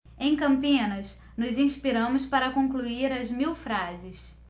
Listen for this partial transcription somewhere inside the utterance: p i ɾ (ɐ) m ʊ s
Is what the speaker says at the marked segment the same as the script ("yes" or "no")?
no